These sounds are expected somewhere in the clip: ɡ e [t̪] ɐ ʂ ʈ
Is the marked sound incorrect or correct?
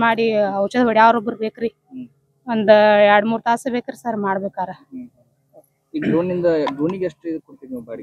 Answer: incorrect